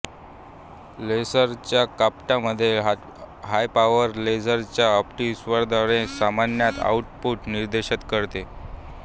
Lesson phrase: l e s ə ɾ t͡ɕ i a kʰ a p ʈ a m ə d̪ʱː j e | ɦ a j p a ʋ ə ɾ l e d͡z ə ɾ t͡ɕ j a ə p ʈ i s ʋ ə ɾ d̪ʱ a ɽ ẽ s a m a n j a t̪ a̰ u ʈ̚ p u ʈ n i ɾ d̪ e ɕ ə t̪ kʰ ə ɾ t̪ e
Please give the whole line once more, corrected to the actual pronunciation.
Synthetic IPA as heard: l e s ə ɾ t͡ɕ j a k a p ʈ a m ə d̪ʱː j e | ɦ a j p a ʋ ə ɾ l e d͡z ə ɾ t͡ɕ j a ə p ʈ i s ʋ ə ɾ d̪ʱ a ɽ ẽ s a m a n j a t̪ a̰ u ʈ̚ p u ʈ n i ɾ d̪ e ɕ ə t̪ k ə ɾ t̪ e